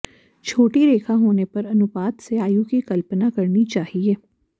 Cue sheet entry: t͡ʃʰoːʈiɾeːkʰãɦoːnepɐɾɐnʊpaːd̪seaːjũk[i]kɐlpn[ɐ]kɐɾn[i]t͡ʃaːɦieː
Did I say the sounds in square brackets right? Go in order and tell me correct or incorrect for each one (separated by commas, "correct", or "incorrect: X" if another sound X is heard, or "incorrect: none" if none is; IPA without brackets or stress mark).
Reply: correct, incorrect: a, correct